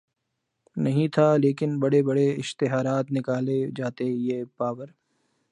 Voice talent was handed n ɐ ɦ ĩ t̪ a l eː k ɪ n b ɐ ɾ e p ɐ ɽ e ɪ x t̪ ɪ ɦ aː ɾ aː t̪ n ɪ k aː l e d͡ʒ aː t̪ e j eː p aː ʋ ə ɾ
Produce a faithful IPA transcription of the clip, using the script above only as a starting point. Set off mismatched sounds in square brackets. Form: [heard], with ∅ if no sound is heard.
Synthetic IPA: n ɐ ɦ ĩ [t̪ʰ] a l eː k ɪ n b ɐ [ɽ] e [b] ɐ ɽ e ɪ [ʃ] t̪ ɪ ɦ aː ɾ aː t̪ n ɪ k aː l e d͡ʒ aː t̪ e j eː p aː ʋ ə ɾ